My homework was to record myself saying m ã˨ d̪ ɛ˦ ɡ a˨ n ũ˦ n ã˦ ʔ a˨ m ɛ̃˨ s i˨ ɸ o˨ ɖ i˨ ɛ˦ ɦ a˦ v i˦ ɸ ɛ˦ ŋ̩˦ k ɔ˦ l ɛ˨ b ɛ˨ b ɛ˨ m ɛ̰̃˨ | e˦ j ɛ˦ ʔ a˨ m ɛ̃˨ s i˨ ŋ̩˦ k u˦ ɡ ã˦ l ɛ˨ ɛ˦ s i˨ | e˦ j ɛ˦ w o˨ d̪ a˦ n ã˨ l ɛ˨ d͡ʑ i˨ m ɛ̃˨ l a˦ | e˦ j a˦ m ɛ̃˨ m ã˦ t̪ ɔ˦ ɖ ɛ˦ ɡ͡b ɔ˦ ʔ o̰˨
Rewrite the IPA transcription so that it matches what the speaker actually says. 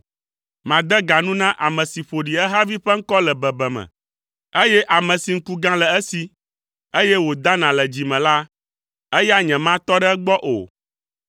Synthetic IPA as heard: m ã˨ d̪ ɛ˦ ɡ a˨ n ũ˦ n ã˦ ʔ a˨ m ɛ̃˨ s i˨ ɸ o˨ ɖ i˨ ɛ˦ ɦ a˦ v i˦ ɸ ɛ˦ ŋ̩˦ k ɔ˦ l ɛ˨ b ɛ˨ b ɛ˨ m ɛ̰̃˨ | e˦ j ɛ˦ ʔ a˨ m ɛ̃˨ s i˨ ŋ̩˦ k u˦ ɡ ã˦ l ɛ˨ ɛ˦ s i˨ | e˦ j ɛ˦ w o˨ d̪ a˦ n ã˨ l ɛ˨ d͡ʑ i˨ m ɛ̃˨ l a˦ | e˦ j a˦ ɲ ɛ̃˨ m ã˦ t̪ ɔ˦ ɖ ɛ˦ ɡ͡b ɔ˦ ʔ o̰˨